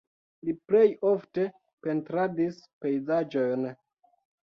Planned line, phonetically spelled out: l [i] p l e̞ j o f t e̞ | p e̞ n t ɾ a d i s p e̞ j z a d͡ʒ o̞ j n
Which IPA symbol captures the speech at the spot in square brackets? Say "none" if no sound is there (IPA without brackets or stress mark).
i